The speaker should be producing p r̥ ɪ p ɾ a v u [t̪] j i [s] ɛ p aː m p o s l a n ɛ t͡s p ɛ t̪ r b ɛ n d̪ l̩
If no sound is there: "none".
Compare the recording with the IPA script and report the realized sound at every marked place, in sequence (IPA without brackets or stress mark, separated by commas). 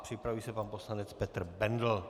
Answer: none, s